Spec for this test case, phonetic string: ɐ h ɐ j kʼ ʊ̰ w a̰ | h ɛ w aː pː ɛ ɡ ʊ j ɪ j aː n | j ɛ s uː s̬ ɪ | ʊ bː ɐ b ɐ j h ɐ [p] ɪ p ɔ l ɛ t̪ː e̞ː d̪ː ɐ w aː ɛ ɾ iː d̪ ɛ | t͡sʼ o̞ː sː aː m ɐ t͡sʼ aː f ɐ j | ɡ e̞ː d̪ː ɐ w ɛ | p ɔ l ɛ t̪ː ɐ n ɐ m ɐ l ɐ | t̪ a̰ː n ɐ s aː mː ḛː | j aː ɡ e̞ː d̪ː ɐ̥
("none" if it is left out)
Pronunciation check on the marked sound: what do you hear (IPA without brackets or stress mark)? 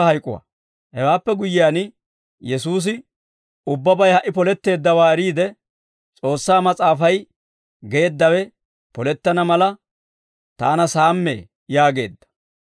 ʔ